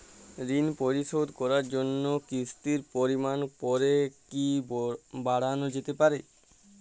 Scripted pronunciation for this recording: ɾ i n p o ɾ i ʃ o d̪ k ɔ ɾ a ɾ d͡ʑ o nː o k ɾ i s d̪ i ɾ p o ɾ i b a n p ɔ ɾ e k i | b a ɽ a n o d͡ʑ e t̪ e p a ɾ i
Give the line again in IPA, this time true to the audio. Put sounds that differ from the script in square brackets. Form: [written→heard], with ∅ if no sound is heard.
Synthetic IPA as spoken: ɾ i n p o ɾ i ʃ o d̪ k ɔ ɾ a ɾ d͡ʑ o nː o k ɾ i s [d̪→t̪] i ɾ p o ɾ i [b→m] a n p ɔ ɾ e k i | b a ɽ a n o d͡ʑ e t̪ e p a ɾ [i→e]